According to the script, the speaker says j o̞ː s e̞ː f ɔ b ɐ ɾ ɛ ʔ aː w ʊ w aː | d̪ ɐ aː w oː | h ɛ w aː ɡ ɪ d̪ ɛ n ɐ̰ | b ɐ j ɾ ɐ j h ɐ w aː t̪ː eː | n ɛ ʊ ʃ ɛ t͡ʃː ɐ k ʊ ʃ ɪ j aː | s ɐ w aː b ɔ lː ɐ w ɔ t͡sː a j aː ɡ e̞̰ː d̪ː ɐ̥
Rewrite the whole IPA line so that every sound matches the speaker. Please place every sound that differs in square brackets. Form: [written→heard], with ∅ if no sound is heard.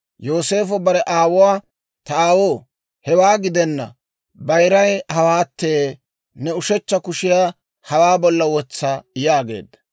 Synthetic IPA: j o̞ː s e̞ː f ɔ b ɐ ɾ ɛ ʔ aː w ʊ w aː | [d̪→t̪] ɐ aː w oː | h ɛ w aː ɡ ɪ d̪ ɛ [n→nː] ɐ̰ | b ɐ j ɾ ɐ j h ɐ w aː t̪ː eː | n ɛ ʊ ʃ ɛ t͡ʃː ɐ k ʊ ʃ ɪ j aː | [s→h] ɐ w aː b ɔ lː ɐ w ɔ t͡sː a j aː ɡ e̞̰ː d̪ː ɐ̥